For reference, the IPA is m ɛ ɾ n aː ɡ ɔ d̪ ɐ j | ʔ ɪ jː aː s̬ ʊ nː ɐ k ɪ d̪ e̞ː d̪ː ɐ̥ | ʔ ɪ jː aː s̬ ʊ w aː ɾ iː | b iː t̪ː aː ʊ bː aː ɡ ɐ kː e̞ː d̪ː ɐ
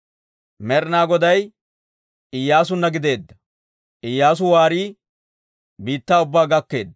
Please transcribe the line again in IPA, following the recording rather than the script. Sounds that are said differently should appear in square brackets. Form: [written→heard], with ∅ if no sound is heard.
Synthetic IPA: m ɛ ɾ n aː ɡ ɔ d̪ ɐ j | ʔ ɪ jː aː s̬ ʊ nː ɐ [k→ɡ] ɪ d̪ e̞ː d̪ː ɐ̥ | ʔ ɪ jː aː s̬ ʊ w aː ɾ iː | b iː t̪ː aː ʊ bː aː ɡ ɐ kː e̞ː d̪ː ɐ